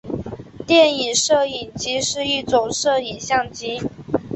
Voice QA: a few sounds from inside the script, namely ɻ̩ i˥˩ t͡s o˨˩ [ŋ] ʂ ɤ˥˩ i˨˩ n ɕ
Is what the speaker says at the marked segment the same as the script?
yes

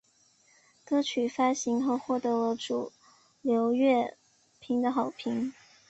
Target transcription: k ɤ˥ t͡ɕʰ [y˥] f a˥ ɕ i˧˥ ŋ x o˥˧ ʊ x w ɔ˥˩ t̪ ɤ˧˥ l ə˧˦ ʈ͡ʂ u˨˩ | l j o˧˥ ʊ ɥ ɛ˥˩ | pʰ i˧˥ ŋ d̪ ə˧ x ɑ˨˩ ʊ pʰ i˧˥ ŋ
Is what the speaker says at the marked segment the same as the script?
no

